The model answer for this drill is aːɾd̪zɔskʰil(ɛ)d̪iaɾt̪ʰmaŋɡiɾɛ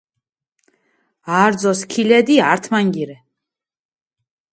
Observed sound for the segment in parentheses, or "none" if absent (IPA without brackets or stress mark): ɛ